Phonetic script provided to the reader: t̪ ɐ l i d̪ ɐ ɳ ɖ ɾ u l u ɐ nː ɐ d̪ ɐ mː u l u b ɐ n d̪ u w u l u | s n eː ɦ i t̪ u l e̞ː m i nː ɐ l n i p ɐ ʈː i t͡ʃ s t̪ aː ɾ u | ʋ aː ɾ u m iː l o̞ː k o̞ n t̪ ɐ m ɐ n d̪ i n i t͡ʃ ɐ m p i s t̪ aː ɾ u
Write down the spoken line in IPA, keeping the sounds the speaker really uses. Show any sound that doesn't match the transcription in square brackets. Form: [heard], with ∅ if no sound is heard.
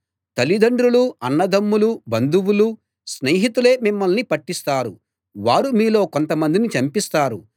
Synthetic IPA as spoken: t̪ ɐ l i d̪ ɐ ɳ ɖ ɾ u l u ɐ nː ɐ d̪ ɐ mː u l u b ɐ n d̪ u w u l u | s n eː ɦ i t̪ u l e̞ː m i [mː] ɐ l n i p ɐ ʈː i [∅] s t̪ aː ɾ u | ʋ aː ɾ u m iː l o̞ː k o̞ n t̪ ɐ m ɐ n d̪ i n i t͡ʃ ɐ m p i s t̪ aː ɾ u